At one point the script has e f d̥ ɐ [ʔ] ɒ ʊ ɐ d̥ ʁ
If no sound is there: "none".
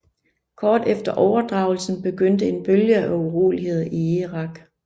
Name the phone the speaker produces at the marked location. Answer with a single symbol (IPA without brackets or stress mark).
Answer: ʔ